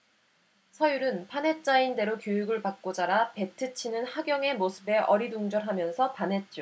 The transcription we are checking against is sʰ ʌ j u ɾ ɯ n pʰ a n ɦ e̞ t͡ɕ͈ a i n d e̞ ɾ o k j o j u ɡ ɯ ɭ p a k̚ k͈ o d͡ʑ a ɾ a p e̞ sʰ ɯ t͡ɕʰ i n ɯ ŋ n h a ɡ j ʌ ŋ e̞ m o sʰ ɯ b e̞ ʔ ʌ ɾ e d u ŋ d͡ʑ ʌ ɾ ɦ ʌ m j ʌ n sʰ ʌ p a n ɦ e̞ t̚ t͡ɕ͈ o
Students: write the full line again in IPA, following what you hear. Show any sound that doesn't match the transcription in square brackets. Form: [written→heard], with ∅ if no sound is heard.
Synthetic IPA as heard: sʰ ʌ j u ɾ ɯ n pʰ a n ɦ e̞ t͡ɕ͈ a i n d e̞ ɾ o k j o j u ɡ ɯ ɭ p a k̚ k͈ o d͡ʑ a ɾ a p e̞ [sʰ→tʰ] ɯ t͡ɕʰ i n ɯ [ŋ→∅] n h a ɡ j ʌ ŋ e̞ m o sʰ ɯ b e̞ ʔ ʌ ɾ [e→i] d u ŋ d͡ʑ ʌ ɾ ɦ [ʌ→a] m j ʌ n sʰ ʌ p a n ɦ e̞ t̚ t͡ɕ͈ o